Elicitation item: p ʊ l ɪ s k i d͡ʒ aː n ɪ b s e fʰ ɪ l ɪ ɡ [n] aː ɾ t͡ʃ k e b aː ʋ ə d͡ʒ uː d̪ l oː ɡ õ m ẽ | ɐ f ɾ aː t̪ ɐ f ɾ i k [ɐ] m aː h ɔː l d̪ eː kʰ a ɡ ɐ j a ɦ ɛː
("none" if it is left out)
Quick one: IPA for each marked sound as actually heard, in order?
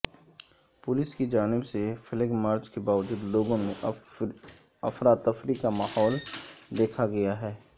m, a

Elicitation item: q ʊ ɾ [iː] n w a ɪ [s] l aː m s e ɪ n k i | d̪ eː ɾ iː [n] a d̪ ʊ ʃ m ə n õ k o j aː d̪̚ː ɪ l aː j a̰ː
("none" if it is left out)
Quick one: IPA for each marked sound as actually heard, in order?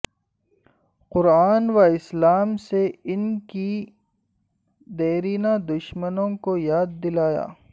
aː, s, n

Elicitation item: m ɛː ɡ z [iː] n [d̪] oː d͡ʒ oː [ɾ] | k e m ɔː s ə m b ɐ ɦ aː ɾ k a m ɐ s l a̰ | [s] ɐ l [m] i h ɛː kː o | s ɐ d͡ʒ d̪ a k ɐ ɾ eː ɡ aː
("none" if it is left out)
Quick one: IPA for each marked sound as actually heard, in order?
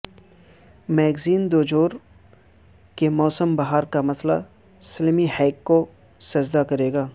iː, d̪, ɾ, s, m

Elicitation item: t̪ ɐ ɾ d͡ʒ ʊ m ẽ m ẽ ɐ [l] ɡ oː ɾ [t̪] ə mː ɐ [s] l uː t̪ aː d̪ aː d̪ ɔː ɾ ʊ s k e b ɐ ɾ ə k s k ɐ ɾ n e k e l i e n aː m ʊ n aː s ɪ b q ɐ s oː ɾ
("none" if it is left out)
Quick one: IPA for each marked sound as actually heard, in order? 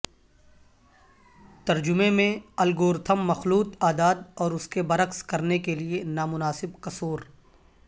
l, t̪ʰ, x

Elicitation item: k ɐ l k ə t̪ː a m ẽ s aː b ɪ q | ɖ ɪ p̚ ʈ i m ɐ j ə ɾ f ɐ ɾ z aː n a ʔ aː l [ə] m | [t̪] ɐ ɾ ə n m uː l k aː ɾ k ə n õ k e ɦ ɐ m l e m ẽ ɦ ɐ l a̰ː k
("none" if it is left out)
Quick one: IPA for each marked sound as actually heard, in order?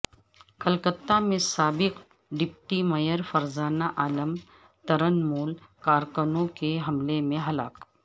ə, t̪

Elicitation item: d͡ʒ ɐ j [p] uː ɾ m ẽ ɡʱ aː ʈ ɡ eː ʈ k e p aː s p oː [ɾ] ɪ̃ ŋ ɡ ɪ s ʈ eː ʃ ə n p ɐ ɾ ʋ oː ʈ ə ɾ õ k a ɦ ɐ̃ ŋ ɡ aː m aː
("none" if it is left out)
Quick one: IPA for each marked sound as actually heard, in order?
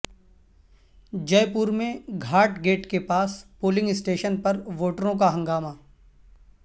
p, l

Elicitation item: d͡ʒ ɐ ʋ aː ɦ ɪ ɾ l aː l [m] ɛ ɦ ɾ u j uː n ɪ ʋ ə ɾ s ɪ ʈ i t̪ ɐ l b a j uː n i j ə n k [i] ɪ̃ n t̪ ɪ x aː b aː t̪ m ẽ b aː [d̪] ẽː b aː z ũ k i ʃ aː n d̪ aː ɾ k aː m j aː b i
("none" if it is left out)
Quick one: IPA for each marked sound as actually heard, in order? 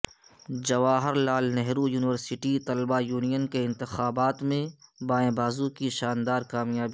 n, e, none

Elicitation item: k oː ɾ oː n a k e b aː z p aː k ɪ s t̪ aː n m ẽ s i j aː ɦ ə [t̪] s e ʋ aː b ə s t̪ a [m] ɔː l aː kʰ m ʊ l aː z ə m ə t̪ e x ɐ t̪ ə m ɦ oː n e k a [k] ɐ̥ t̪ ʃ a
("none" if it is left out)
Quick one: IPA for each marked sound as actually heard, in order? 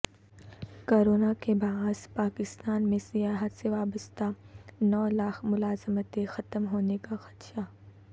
t̪, n, x

